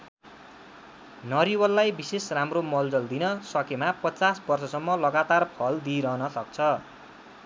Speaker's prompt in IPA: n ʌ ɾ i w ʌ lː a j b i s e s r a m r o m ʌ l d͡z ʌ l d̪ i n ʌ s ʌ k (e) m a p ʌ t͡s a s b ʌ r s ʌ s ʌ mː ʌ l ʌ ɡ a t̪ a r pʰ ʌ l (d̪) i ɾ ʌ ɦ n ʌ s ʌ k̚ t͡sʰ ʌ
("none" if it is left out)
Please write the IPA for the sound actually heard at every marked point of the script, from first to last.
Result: e, d̪

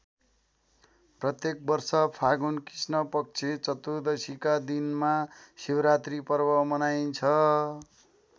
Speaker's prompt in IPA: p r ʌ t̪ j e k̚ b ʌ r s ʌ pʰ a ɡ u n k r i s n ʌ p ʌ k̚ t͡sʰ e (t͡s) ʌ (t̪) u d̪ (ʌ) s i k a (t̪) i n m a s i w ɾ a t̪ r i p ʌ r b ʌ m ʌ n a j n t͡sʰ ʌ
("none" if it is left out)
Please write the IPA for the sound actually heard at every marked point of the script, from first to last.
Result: t͡s, t̪, ʌ, d̪

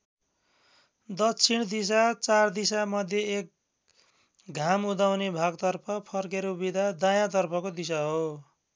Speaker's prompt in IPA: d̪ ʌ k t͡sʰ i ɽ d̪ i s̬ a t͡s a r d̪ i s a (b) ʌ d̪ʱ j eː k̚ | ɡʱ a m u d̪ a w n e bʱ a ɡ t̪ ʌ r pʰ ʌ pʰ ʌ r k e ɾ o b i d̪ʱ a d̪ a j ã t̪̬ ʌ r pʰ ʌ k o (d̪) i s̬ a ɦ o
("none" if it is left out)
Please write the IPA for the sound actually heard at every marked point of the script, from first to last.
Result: m, d̪

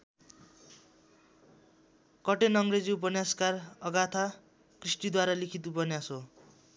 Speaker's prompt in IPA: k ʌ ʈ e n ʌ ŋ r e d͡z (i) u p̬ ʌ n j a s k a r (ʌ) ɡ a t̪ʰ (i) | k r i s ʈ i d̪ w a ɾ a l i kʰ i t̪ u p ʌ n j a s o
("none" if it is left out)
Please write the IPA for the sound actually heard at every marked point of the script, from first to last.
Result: i, ʌ, a

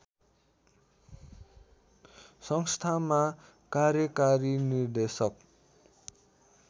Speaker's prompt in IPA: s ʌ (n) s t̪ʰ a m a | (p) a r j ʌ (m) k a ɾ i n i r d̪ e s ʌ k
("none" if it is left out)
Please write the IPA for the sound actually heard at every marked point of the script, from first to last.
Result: ŋ, k, none

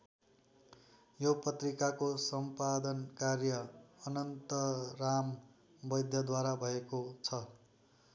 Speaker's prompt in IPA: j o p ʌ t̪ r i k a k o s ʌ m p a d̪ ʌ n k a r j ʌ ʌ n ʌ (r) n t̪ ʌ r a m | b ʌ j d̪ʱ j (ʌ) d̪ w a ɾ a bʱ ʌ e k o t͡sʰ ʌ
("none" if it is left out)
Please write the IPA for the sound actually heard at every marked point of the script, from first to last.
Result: none, ʌ

